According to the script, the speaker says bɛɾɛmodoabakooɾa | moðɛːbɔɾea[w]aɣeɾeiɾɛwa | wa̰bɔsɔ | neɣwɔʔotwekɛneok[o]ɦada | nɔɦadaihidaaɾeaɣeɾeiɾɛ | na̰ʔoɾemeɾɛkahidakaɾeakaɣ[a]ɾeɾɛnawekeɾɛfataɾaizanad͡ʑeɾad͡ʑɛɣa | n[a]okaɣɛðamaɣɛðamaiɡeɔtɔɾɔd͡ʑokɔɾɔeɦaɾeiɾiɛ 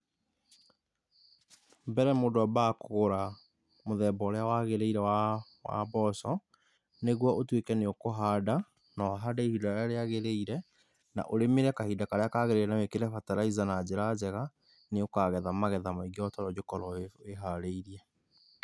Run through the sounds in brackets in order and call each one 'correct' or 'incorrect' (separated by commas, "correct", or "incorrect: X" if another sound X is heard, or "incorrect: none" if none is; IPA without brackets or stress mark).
correct, correct, incorrect: e, incorrect: e